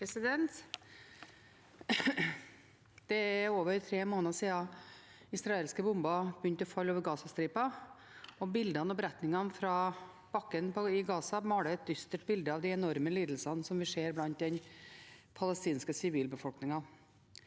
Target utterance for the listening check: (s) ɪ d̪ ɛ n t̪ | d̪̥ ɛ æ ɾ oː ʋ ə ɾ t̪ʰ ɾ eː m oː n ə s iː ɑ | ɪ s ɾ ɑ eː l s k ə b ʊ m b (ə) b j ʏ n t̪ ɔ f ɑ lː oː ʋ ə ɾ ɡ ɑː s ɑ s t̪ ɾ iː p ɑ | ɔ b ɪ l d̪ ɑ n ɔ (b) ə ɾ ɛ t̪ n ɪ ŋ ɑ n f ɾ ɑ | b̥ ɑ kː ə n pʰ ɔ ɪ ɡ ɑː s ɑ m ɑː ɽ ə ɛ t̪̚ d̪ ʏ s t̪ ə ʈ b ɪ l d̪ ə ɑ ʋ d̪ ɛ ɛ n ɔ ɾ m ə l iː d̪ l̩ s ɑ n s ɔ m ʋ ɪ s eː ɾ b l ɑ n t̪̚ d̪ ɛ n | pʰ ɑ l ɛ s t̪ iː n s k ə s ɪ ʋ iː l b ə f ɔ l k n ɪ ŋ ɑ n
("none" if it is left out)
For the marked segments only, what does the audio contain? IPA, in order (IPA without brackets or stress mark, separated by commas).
s, ɑ, b